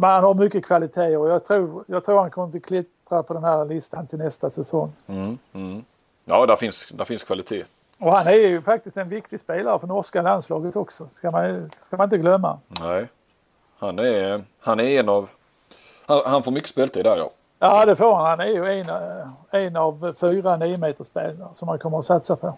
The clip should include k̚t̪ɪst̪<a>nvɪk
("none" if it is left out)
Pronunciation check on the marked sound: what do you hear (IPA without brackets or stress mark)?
ɛ